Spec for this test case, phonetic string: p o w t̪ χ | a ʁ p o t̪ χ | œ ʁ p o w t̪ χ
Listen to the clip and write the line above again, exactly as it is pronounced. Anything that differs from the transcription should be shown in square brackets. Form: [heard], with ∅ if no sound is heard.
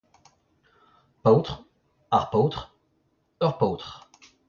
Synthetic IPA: p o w t̪ χ | a ʁ p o t̪ χ | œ ʁ p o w t̪ χ